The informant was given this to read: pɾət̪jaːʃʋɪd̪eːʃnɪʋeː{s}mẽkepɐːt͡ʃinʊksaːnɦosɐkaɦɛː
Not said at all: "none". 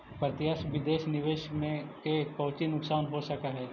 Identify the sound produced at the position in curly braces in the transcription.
ʃ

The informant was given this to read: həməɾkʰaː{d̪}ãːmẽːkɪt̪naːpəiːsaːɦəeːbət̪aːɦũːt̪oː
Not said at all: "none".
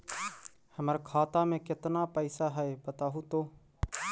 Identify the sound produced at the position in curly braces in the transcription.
t̪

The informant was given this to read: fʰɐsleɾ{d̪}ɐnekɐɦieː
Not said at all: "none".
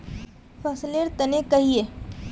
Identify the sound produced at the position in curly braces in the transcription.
t̪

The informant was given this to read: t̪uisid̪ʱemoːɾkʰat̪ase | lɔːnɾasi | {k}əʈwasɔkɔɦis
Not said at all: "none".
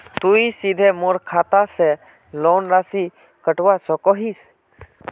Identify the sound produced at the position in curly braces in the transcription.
k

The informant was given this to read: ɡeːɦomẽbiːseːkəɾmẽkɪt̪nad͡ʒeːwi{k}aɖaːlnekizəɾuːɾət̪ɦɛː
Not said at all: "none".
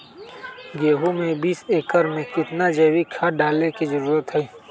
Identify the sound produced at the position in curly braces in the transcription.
kʰ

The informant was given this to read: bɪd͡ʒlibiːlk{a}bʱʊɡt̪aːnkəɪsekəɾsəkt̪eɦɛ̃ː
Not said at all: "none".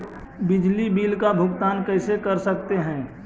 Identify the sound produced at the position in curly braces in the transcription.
a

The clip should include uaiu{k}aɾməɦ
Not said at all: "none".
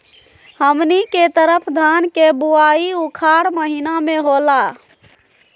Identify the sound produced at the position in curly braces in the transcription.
kʰ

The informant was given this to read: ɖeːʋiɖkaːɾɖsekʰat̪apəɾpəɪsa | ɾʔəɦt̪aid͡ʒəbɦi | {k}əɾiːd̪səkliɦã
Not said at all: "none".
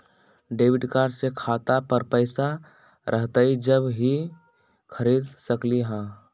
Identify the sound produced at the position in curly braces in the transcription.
kʰ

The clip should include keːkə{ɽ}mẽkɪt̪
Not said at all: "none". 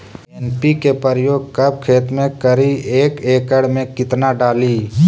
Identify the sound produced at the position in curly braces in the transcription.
ɽ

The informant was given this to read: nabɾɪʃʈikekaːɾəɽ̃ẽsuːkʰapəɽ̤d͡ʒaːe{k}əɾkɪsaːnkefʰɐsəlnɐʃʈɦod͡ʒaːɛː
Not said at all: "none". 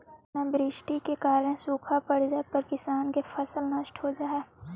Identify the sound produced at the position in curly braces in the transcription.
p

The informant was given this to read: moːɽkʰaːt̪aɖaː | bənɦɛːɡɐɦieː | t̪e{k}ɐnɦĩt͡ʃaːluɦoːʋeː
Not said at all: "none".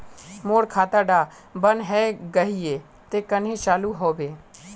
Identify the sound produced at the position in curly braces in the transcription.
k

